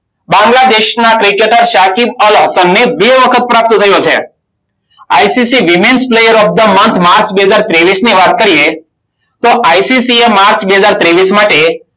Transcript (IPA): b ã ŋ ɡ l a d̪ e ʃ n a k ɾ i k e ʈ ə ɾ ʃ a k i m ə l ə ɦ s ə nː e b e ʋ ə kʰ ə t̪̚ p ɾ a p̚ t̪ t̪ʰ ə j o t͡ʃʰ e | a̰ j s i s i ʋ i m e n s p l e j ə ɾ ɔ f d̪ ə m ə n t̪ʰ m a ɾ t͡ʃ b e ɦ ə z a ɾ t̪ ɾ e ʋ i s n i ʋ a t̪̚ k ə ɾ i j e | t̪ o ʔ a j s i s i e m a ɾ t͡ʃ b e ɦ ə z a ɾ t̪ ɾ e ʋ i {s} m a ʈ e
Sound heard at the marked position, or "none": s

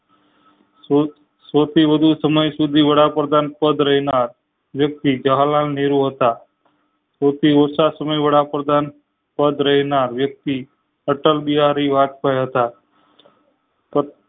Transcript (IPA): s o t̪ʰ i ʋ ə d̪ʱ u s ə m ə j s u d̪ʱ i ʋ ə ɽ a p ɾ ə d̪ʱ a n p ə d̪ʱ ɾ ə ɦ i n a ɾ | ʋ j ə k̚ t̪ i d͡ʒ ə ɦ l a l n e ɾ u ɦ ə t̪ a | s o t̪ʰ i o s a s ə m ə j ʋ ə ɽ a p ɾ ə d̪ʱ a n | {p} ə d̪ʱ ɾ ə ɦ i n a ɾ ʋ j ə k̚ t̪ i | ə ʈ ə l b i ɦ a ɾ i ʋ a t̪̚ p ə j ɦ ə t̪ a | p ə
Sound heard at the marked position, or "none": p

